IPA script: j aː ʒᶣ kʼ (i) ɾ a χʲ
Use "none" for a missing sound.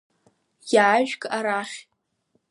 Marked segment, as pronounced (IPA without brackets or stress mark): a